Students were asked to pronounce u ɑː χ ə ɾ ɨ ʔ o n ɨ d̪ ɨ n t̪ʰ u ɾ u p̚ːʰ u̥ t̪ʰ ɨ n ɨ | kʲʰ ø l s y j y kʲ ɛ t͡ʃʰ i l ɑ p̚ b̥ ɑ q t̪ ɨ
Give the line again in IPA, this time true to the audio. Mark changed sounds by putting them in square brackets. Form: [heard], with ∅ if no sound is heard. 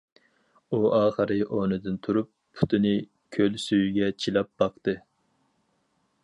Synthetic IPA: u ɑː χ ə ɾ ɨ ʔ o n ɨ d̪ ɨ n t̪ʰ u ɾ u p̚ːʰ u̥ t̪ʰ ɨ n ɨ | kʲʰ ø l s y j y [ɡʲ] ɛ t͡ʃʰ i l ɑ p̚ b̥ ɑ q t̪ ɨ